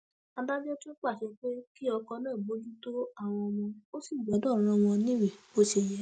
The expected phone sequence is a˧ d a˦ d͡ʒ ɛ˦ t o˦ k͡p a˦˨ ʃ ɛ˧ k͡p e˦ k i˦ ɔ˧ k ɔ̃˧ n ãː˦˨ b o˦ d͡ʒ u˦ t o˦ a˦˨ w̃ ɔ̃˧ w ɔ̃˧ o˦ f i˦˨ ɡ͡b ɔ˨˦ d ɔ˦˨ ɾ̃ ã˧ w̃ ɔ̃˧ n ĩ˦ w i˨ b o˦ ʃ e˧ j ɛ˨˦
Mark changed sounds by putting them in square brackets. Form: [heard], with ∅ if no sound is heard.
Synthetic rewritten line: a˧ d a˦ d͡ʒ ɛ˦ t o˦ k͡p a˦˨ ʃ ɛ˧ k͡p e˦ k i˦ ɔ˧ k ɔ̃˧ n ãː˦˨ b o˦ d͡ʒ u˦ t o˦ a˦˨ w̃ ɔ̃˧ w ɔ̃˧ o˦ [s] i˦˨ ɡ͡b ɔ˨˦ d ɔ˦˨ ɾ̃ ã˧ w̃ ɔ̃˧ n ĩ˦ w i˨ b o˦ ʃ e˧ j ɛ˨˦